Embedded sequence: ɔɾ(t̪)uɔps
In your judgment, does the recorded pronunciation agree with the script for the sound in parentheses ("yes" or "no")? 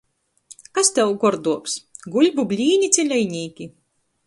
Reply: no